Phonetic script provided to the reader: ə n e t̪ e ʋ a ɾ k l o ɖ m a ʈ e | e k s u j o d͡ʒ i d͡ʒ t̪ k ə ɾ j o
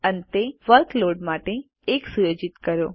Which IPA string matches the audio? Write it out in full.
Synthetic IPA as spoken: ə n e t̪ e ʋ ə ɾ k l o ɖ m a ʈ e | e k s u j o d͡ʒ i t̪ k ə ɾ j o